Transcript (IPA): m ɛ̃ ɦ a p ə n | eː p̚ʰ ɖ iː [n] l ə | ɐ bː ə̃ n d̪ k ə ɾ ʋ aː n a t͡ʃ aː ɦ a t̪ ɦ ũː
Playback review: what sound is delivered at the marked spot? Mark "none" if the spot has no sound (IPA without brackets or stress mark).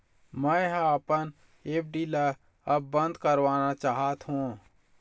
none